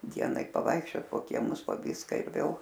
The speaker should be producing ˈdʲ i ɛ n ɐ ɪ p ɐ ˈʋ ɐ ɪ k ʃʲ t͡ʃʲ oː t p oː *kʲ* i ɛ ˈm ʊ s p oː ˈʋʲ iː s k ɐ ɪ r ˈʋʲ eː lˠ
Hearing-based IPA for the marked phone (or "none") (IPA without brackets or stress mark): kʲ